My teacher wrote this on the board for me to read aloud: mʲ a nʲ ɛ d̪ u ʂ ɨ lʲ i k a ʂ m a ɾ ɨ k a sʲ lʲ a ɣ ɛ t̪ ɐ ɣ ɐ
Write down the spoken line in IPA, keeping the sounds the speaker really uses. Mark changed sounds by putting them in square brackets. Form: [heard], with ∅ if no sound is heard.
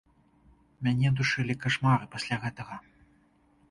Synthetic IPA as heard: mʲ a nʲ ɛ d̪ u ʂ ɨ lʲ i k a ʂ m a ɾ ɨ [p] a sʲ lʲ a ɣ ɛ t̪ ɐ ɣ ɐ

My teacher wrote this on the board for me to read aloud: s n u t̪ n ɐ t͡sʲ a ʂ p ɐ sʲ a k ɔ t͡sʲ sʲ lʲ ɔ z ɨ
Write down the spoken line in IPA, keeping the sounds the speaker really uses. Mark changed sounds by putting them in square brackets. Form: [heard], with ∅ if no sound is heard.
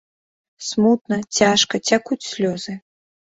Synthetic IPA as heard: s [m] u t̪ n ɐ t͡sʲ a ʂ [k] ɐ [t͡sʲ] a k [u] t͡sʲ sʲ lʲ ɔ z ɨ

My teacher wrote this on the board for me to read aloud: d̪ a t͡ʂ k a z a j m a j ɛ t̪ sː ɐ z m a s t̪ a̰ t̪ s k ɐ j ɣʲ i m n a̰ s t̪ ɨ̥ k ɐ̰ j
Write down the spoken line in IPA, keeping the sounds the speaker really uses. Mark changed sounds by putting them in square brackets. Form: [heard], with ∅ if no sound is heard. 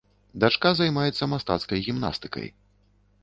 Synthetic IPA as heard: d̪ a t͡ʂ k a z a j m a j ɛ t̪ sː ɐ [∅] m a s t̪ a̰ t̪ s k ɐ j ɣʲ i m n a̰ s t̪ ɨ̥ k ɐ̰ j

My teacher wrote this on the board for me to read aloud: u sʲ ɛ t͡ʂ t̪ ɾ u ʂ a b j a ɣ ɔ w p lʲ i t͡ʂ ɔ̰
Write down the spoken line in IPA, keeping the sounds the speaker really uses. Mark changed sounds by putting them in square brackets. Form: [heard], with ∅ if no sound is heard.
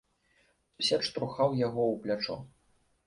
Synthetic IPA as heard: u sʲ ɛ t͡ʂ t̪ ɾ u [x] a [w] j a ɣ ɔ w p lʲ [a] t͡ʂ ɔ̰

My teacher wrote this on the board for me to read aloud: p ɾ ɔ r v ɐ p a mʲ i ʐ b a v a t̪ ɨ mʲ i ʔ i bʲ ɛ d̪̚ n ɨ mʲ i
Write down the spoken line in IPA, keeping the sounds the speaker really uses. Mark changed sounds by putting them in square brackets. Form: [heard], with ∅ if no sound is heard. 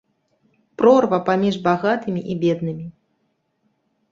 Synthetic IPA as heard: p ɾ ɔ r v ɐ p a mʲ i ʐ b a [ɣ] a t̪ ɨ mʲ i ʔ i bʲ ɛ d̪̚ n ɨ mʲ i

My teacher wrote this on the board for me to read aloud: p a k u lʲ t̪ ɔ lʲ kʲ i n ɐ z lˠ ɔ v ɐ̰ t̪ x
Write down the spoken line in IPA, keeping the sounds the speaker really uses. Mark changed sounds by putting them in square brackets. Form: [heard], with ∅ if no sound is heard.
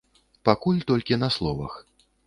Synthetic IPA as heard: p a k u lʲ t̪ ɔ lʲ kʲ i n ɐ [s] lˠ ɔ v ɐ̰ [∅] x

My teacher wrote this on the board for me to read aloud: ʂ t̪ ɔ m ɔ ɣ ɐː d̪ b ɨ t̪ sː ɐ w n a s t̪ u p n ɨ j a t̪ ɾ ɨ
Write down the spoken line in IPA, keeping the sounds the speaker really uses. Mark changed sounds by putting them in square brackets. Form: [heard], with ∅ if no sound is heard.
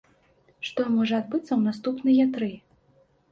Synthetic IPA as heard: ʂ t̪ ɔ m ɔ [ʐ] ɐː d̪ b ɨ t̪ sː ɐ w n a s t̪ u p n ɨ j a t̪ ɾ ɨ

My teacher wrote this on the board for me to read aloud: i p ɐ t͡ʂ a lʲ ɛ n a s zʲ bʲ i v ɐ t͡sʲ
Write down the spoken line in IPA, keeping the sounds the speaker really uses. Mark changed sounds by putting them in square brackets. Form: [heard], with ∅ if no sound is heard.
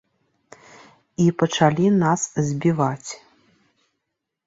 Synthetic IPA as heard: i p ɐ t͡ʂ a lʲ [i] n a s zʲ bʲ i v [a] t͡sʲ

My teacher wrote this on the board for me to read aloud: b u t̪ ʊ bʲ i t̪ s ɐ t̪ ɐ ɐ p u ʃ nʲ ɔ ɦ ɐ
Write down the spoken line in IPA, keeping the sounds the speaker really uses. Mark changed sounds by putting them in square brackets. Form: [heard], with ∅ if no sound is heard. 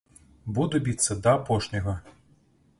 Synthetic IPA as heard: b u [d̪] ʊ bʲ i t̪ s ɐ [d̪] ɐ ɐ p [ɔ] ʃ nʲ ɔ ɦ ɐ

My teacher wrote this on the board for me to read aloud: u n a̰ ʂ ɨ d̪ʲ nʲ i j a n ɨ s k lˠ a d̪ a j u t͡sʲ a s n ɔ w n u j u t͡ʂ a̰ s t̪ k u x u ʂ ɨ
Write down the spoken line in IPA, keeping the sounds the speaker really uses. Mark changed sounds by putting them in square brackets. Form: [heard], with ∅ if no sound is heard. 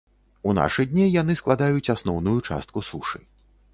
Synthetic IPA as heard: u n a̰ ʂ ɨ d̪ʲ nʲ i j a n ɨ s k lˠ a d̪ a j u t͡sʲ a s n ɔ w n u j u t͡ʂ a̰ s t̪ k u [s] u ʂ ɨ

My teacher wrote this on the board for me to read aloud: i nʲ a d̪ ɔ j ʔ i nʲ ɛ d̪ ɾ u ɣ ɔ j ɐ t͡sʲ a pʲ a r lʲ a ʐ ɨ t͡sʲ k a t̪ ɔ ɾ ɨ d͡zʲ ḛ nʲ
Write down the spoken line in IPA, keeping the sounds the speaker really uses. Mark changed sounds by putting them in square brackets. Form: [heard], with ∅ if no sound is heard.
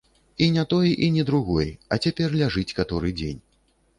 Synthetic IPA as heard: i nʲ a [t̪] ɔ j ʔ i nʲ ɛ d̪ ɾ u ɣ ɔ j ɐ t͡sʲ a pʲ [ɛ] r lʲ a ʐ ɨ t͡sʲ k a t̪ ɔ ɾ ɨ d͡zʲ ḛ nʲ

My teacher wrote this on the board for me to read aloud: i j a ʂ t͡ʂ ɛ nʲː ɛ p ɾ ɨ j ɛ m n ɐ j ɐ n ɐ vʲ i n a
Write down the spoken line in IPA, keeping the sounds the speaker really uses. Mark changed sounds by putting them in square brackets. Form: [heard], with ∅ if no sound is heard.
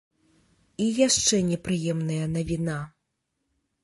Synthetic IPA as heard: i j a ʂ t͡ʂ ɛ [nʲ] ɛ p ɾ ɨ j ɛ m n ɐ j ɐ n ɐ vʲ i n a

